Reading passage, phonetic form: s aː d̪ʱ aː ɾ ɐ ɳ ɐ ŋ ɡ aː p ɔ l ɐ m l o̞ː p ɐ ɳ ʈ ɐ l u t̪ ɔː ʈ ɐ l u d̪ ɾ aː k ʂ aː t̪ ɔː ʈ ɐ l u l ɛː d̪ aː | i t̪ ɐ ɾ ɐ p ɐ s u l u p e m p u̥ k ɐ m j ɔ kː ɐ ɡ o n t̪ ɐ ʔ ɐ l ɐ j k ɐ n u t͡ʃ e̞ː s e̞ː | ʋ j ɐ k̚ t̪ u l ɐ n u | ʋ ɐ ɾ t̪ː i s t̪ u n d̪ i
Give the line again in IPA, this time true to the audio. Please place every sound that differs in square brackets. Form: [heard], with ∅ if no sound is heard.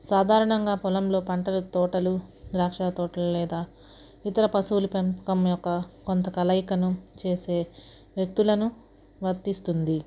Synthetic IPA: s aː d̪ʱ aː ɾ ɐ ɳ ɐ ŋ ɡ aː p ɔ l ɐ m l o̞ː p ɐ ɳ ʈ ɐ l u t̪ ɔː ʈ ɐ l u d̪ ɾ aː k ʂ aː t̪ ɔː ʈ ɐ l u l ɛː d̪ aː | i t̪ ɐ ɾ ɐ p ɐ s u l u p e m p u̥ k ɐ m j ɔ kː ɐ [k] o n t̪ ɐ [k] ɐ l ɐ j k ɐ n u t͡ʃ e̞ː s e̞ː | ʋ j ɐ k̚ t̪ u l ɐ n u | ʋ ɐ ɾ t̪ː i s t̪ u n d̪ i